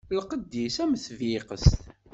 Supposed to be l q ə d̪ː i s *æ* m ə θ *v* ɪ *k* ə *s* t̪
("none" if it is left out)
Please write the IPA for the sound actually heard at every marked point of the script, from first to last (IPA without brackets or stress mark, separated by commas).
æ, v, q, s